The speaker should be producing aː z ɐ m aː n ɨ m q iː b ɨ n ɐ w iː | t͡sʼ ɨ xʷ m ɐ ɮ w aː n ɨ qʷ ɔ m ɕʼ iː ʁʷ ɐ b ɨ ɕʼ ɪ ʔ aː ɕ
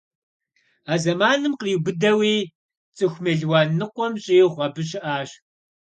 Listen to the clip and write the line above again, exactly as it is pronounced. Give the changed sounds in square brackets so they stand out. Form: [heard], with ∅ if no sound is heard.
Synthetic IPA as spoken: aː z ɐ m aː n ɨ m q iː b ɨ [d] ɐ w iː | t͡sʼ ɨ xʷ m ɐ ɮ w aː n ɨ qʷ ɔ m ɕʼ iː ʁʷ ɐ b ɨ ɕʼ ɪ ʔ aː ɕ